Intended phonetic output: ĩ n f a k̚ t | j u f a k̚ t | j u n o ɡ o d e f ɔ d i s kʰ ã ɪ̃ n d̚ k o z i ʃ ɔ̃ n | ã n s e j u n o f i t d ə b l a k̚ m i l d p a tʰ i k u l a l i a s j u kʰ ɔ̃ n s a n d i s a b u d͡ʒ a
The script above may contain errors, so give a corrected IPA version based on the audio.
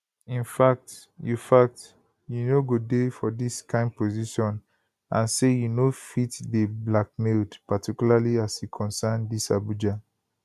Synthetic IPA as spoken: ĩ n f a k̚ t | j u f a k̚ t | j u n o ɡ o d e f ɔ d i s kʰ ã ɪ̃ n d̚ p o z i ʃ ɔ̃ n | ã n s e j u n o f i t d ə b l a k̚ m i l d p a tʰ i k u l a l i a s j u kʰ ɔ̃ n s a n d i s a b u d͡ʒ a